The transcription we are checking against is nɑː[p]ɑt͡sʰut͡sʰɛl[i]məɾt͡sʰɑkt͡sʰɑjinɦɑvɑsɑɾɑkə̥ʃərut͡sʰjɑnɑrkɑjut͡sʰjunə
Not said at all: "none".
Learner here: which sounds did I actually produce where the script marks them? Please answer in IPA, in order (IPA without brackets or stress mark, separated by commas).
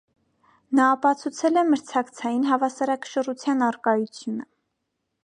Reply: p, ɛ